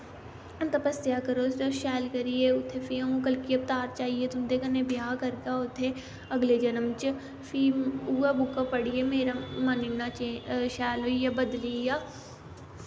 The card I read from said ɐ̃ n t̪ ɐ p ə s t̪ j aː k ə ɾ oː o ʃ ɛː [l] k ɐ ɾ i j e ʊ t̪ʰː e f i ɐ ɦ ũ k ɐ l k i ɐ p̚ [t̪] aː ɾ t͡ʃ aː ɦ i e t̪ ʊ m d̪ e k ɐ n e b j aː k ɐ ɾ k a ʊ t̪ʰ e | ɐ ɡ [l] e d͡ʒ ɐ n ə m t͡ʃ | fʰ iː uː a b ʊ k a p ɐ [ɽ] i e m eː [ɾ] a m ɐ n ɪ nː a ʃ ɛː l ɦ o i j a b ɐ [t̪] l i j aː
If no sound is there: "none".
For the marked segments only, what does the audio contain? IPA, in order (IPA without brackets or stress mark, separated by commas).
l, t̪, l, ɽ, ɾ, d̪